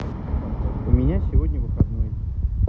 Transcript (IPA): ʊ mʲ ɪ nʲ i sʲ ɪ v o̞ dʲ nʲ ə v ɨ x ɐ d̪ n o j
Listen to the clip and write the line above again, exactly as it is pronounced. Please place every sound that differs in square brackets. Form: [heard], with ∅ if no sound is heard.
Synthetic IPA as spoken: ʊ mʲ ɪ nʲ [a] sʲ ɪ v o̞ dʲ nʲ ə v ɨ x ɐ d̪ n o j